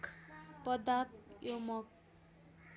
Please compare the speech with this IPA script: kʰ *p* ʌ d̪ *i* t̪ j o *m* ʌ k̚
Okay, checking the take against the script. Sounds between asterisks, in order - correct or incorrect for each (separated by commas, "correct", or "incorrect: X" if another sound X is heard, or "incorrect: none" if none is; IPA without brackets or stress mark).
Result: correct, incorrect: a, correct